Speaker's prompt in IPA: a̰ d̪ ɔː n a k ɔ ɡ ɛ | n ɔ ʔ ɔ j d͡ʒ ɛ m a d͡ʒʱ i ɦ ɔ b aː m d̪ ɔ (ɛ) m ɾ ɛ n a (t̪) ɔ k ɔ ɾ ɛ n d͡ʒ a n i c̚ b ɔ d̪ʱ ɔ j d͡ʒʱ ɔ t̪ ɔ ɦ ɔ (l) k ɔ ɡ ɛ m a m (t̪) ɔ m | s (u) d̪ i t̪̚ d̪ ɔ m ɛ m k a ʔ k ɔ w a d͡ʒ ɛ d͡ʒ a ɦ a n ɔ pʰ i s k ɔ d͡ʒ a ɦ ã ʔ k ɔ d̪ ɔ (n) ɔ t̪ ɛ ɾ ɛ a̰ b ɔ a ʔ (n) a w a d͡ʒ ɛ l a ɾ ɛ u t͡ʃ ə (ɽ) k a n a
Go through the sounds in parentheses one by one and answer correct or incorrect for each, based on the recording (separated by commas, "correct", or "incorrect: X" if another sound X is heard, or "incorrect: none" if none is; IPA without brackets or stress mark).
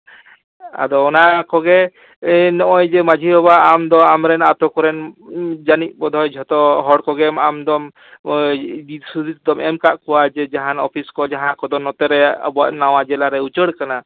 incorrect: a, correct, incorrect: ɽ, incorrect: d̪, correct, correct, correct, correct